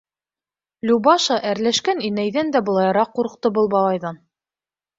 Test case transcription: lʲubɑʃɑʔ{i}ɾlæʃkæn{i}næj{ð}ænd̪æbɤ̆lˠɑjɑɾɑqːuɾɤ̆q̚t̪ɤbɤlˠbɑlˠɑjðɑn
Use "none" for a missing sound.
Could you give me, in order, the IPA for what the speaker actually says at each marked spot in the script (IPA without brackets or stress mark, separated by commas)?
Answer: æ, i, ð